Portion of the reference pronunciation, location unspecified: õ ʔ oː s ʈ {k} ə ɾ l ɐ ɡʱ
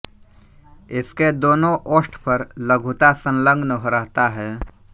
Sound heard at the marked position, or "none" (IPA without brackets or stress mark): p